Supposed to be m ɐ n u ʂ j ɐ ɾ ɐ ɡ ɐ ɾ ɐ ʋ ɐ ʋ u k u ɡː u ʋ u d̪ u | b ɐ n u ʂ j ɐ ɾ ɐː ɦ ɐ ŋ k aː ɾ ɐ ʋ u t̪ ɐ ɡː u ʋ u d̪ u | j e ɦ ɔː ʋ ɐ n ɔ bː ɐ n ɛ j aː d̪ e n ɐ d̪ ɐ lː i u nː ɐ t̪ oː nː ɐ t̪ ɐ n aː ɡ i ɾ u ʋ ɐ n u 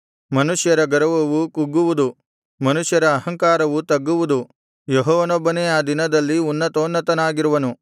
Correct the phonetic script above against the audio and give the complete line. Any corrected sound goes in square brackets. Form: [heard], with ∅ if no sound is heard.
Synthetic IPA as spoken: m ɐ n u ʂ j ɐ ɾ ɐ ɡ ɐ ɾ ɐ ʋ ɐ ʋ u k u ɡː u ʋ u d̪ u | [m] ɐ n u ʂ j ɐ ɾ ɐː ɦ ɐ ŋ k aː ɾ ɐ ʋ u t̪ ɐ ɡː u ʋ u d̪ u | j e ɦ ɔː ʋ ɐ n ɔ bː ɐ n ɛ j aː d̪ [i] n ɐ d̪ ɐ lː i u nː ɐ t̪ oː nː ɐ t̪ ɐ n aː ɡ i ɾ u ʋ ɐ n u